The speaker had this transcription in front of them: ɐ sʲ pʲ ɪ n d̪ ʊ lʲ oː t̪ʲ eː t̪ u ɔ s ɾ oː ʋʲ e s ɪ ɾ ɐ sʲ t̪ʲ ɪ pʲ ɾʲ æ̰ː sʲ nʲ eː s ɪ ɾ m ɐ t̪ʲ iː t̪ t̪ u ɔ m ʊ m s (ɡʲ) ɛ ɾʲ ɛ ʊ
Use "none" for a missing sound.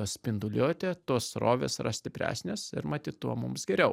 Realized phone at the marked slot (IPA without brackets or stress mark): ɡʲ